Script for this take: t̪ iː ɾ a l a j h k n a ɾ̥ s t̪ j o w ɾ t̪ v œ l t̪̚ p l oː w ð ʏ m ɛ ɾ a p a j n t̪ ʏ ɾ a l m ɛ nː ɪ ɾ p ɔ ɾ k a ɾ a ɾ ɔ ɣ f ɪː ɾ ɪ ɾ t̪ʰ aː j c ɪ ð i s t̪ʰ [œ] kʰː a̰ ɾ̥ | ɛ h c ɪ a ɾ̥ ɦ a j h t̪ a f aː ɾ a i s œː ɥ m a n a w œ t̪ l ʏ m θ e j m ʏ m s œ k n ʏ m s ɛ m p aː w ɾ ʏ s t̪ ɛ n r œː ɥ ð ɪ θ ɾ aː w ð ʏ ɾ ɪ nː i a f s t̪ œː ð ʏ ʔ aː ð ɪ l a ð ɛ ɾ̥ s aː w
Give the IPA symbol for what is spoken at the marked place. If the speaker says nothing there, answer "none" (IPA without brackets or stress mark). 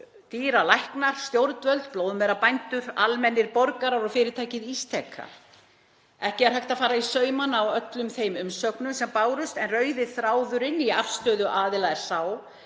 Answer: ɛ